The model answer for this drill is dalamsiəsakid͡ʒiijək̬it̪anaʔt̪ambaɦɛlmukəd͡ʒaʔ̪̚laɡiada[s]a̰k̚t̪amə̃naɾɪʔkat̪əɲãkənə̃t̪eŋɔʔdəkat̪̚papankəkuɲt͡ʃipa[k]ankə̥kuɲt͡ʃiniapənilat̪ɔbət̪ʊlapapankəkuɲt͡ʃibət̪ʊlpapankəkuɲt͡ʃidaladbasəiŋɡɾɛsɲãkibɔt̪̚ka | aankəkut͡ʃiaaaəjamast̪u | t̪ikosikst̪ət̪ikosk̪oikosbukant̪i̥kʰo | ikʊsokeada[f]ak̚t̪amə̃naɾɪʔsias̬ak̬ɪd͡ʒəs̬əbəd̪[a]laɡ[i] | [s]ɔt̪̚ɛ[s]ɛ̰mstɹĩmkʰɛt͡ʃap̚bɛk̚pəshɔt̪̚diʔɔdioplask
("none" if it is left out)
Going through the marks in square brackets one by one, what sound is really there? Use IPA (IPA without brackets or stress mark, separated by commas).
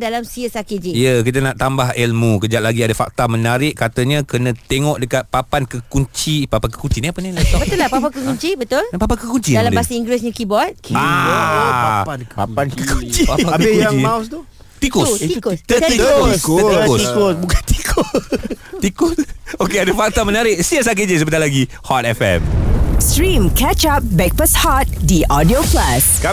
f, p, f, a, i, h, f